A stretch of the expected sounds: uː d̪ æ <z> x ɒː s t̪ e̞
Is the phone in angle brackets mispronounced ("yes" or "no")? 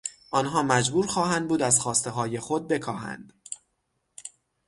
no